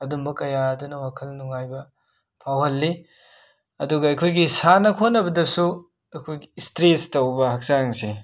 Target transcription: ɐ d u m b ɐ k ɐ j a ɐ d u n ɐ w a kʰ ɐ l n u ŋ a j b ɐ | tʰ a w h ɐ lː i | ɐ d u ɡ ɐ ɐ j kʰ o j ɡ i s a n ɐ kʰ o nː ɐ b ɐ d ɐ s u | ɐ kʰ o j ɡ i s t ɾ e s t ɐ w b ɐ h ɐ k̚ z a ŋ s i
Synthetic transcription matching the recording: ɐ d u m b ɐ k ɐ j a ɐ d u n ɐ w a kʰ ɐ l n u ŋ a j b ɐ | pʰ a w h ɐ lː i | ɐ d u ɡ ɐ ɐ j kʰ o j ɡ i s a n ɐ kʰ o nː ɐ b ɐ d ɐ s u | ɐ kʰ o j ɡ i s t ɾ e s t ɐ w b ɐ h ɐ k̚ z a ŋ s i